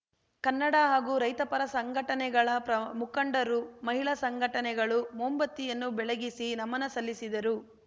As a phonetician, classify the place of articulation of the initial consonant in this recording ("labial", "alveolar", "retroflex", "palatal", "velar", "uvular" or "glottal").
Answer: velar